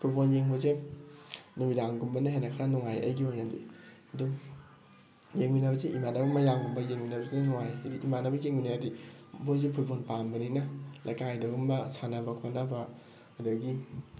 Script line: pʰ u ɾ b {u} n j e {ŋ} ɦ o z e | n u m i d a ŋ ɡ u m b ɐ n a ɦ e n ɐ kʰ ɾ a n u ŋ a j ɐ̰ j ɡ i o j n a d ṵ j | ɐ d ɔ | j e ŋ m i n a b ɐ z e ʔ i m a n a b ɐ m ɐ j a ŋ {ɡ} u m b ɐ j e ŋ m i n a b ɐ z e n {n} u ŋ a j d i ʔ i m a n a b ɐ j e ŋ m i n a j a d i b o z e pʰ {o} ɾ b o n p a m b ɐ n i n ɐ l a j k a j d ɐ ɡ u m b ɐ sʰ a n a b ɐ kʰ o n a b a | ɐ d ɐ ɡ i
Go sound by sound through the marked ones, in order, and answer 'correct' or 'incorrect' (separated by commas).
incorrect, correct, correct, correct, incorrect